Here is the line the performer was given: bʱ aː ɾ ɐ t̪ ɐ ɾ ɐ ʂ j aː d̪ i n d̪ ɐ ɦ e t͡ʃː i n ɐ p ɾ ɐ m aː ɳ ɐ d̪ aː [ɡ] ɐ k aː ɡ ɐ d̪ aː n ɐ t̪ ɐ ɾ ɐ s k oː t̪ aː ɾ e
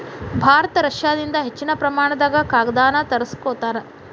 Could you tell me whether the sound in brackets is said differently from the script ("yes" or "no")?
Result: no